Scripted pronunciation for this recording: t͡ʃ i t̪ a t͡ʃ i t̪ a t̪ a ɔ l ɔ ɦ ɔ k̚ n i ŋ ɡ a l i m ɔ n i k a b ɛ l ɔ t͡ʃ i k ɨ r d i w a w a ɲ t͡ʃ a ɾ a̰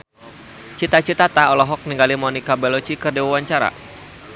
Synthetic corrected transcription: t͡ʃ i t̪ a t͡ʃ i t̪ a t̪ a ɔ l ɔ ɦ ɔ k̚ n i ŋ ɡ a l i m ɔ n i k a b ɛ l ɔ t͡ʃ i k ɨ r d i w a w a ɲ t͡ʃ a ɾ a̰

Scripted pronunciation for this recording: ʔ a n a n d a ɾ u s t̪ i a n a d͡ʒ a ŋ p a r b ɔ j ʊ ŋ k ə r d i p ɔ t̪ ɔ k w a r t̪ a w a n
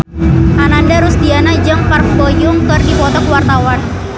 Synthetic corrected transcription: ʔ a n a n d a ɾ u s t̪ i a n a d͡ʒ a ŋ p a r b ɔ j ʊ ŋ k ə r d i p ɔ t̪ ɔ k w a r t̪ a w a n

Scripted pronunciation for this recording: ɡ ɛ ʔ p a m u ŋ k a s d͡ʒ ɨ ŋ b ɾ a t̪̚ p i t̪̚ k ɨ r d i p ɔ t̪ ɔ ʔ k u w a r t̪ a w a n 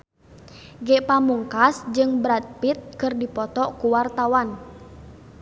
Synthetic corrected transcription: ɡ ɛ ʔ p a m u ŋ k a s d͡ʒ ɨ ŋ b ɾ a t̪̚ p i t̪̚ k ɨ r d i p ɔ t̪ ɔ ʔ k u w a r t̪ a w a n

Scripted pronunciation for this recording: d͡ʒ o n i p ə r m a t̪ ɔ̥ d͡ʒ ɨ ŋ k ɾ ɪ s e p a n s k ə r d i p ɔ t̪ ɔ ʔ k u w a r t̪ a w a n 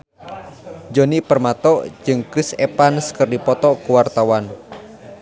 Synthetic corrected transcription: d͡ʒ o n i p ə r m a t̪ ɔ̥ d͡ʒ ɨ ŋ k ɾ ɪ s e p a n s k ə r d i p ɔ t̪ ɔ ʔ k u w a r t̪ a w a n

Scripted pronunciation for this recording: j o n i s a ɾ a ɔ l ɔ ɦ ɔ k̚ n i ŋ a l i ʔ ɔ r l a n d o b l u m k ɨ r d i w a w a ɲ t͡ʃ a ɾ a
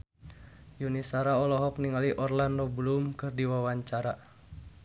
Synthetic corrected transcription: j u n i s a ɾ a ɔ l ɔ ɦ ɔ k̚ n i ŋ a l i ʔ ɔ r l a n d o b l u m k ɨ r d i w a w a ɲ t͡ʃ a ɾ a

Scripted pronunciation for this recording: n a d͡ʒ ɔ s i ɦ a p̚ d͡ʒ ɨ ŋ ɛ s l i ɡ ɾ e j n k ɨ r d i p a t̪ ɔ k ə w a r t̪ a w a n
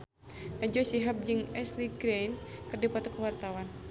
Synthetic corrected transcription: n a d͡ʒ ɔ s i ɦ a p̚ d͡ʒ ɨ ŋ ɛ s l i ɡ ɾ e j n k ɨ r d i p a t̪ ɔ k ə w a r t̪ a w a n

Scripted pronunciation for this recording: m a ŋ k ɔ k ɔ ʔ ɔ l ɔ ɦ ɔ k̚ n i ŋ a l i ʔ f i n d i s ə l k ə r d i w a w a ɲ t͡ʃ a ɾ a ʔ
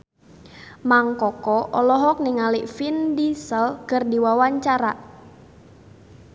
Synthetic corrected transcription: m a ŋ k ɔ k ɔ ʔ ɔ l ɔ ɦ ɔ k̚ n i ŋ a l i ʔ f i n d i s ə l k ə r d i w a w a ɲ t͡ʃ a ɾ a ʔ

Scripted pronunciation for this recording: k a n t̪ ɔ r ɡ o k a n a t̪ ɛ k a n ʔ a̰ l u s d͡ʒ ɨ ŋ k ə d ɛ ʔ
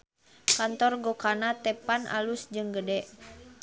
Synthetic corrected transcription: k a n t̪ ɔ r ɡ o k a n a t̪ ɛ p a n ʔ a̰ l u s d͡ʒ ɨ ŋ ɡ ə d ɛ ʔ

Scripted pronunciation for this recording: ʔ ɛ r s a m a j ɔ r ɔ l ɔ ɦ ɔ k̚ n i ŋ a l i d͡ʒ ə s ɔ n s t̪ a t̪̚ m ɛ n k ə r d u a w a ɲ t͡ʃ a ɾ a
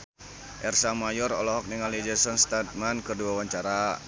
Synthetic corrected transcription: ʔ ɛ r s a m a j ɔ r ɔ l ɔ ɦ ɔ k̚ n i ŋ a l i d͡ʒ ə s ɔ n s t̪ a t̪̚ m a n k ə r d u a w a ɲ t͡ʃ a ɾ a

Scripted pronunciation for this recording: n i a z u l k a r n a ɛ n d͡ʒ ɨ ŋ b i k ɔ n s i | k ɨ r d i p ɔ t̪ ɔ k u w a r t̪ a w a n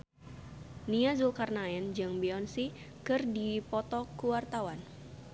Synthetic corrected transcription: n i a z u l k a r n a ɛ n d͡ʒ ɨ ŋ b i ɔ n s i | k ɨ r d i p ɔ t̪ ɔ k u w a r t̪ a w a n

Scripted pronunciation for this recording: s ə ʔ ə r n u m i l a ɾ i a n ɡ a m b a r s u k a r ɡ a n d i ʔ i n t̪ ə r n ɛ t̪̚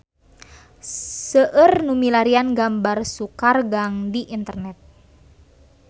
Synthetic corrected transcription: s ə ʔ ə r n u m i l a ɾ i a n ɡ a m b a r s u k a r ɡ a ŋ d i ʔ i n t̪ ə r n ɛ t̪̚

